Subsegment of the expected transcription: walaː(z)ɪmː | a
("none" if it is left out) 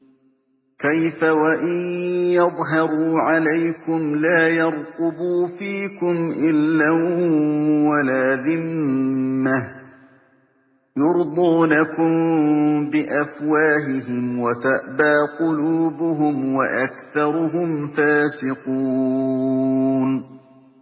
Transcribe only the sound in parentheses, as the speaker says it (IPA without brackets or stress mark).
ð